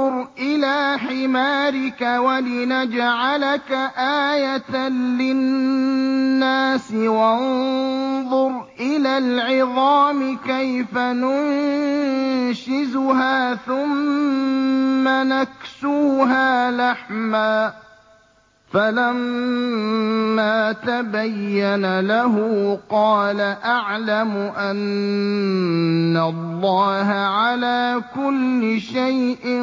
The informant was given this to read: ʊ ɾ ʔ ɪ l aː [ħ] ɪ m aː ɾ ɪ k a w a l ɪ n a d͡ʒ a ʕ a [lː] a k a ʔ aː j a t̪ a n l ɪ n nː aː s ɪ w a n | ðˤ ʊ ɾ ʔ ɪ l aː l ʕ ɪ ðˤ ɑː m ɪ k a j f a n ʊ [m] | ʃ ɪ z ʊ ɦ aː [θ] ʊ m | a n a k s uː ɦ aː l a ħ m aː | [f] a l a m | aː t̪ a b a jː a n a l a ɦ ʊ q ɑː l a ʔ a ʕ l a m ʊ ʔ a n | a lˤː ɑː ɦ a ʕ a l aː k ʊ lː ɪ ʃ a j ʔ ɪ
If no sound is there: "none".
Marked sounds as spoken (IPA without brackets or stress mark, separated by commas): ħ, l, n, θ, f